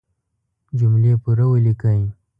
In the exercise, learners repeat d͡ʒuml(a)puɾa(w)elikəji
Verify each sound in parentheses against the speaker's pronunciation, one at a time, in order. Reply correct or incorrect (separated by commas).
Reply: incorrect, correct